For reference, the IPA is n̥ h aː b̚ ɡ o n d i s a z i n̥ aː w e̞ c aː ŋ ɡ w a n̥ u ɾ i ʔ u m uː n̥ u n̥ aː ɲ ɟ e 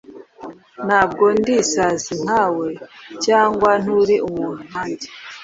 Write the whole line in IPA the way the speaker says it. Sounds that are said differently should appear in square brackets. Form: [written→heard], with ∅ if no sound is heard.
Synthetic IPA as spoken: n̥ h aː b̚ ɡ o n d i s a z i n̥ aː w e̞ c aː ŋ ɡ w a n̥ u ɾ i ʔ u m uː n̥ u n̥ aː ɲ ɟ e